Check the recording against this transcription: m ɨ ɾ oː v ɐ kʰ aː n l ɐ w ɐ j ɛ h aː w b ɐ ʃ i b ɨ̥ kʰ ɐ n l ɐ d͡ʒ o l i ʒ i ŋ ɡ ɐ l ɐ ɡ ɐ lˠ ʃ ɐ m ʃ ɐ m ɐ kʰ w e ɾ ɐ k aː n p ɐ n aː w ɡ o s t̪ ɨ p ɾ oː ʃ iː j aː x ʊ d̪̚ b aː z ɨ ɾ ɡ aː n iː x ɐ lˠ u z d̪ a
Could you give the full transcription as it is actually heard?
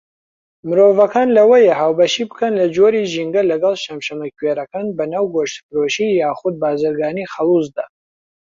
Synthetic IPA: m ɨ ɾ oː v ɐ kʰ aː n l ɐ w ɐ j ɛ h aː w b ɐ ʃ i b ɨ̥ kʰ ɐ n l ɐ d͡ʒ o ɾ i ʒ i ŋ ɡ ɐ l ɐ ɡ ɐ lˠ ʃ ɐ m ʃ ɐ m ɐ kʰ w e ɾ ɐ k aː n b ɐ n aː w ɡ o ʃ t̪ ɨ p ɾ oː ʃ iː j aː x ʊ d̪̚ b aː z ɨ ɾ ɡ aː n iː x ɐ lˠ u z d̪ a